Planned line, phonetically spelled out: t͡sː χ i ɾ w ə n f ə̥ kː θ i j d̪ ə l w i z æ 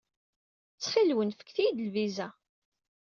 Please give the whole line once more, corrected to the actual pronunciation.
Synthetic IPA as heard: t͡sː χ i l w ə n f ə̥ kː θ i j d̪ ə l v i z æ

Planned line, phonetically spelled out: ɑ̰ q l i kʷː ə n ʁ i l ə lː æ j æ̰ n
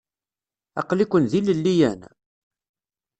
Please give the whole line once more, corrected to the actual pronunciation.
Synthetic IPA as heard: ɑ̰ q l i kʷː ə n ð i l ə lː i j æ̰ n

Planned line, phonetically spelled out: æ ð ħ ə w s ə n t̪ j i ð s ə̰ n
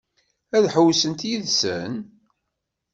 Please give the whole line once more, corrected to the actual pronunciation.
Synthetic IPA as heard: æ ð ħ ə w s ə n t̪ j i ð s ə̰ n

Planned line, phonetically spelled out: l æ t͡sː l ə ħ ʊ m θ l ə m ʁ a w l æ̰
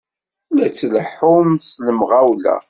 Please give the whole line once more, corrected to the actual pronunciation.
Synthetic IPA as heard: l æ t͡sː l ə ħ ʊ m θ l ə m ʁ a w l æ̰

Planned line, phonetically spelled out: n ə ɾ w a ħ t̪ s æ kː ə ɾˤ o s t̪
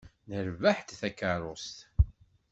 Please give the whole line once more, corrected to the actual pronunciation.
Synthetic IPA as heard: n ə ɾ v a ħ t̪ θ æ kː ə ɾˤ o s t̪

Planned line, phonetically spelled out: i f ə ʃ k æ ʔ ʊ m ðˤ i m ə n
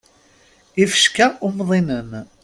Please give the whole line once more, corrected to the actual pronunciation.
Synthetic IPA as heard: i f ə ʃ k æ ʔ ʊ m ðˤ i n ə n

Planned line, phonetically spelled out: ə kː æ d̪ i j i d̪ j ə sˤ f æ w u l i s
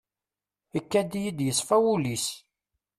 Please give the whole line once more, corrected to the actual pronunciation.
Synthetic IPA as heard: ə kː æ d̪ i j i d̪ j ə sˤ f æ w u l i s

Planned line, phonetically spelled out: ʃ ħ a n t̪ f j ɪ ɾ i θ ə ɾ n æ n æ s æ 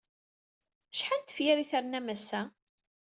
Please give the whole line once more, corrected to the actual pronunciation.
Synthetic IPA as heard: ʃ ħ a n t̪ f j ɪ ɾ i θ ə ɾ n æ m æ s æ

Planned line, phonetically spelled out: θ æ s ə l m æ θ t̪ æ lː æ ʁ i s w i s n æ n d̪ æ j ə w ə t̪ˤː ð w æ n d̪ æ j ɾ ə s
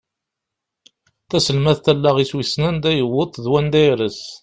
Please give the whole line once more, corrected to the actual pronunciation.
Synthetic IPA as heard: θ æ s ə l m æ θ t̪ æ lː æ ʁ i s w i s n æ n d̪ æ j ə w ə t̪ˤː ð w æ n d̪ æ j ɾ ə s

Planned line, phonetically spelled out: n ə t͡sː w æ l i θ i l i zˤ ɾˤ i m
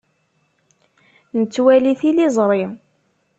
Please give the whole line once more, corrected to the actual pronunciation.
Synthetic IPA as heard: n ə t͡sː w æ l i θ i l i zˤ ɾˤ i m

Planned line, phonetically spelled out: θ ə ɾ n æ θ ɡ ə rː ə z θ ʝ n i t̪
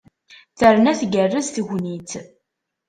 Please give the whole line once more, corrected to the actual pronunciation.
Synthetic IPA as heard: θ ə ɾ n æ θ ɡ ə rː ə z θ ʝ n i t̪

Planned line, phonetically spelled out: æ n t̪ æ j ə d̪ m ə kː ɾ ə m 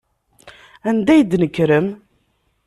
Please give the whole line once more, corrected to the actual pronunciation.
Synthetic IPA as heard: æ n d̪ æ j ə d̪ n ə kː ɾ ə m

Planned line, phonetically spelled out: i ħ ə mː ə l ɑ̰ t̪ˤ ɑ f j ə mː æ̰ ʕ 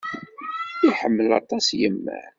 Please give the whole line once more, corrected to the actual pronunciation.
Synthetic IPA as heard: i ħ ə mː ə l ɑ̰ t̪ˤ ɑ s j ə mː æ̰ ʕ

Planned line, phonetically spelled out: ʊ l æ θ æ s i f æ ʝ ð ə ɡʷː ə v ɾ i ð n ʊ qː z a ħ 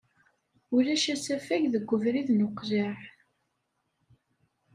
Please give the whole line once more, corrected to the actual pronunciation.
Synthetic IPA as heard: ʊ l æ ʃ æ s æ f æ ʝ ð ə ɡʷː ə v ɾ i ð n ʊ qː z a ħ

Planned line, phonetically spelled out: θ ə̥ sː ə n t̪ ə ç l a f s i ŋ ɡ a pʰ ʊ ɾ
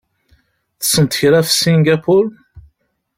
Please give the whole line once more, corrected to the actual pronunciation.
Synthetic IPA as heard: θ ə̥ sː ə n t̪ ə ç ɾ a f s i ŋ ɡ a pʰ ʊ ɾ

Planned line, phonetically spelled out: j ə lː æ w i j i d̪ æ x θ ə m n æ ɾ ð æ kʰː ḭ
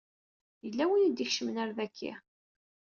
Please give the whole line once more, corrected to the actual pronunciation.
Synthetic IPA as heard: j ə lː æ w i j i d̪ i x ʃ ə m n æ ɾ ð æ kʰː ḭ

